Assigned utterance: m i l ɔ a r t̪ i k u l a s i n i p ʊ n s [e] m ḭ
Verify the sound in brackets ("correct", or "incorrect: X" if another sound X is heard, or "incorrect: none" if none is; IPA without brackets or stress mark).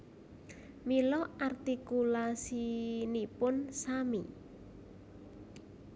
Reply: incorrect: a